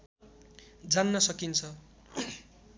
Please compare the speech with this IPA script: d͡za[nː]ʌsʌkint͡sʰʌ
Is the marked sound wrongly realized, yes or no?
no